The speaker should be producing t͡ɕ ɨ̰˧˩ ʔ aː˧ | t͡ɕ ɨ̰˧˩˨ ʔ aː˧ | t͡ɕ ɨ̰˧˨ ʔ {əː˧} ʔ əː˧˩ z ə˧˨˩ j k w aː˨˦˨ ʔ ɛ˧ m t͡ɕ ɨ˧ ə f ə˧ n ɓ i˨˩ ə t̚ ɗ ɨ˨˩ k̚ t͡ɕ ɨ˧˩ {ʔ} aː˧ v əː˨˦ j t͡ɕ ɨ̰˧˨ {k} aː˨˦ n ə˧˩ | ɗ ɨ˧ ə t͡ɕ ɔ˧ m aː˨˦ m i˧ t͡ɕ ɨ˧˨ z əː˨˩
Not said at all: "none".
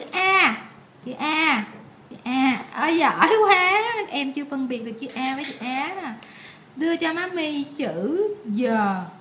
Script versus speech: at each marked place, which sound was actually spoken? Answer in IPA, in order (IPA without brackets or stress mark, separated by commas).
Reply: aː˧, ʔ, ʔ